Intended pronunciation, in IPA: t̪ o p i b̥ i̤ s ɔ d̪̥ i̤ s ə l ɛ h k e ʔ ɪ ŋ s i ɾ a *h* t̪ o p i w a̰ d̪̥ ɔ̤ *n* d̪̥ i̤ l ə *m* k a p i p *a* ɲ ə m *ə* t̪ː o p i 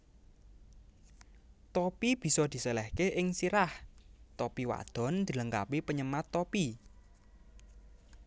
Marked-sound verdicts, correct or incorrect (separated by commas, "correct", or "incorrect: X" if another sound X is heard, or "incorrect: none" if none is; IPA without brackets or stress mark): correct, correct, incorrect: ŋ, incorrect: ə, incorrect: a